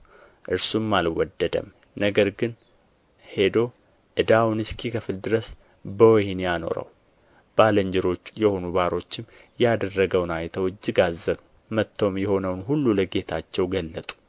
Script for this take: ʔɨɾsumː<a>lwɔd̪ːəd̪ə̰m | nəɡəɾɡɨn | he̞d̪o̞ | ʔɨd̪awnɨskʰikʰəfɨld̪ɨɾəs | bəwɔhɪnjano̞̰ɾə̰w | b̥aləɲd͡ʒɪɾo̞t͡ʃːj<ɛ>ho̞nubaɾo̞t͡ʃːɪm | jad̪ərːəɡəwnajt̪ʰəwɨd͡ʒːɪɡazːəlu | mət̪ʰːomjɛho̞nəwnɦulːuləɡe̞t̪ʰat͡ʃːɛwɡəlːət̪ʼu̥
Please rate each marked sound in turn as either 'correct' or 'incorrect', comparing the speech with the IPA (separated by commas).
correct, correct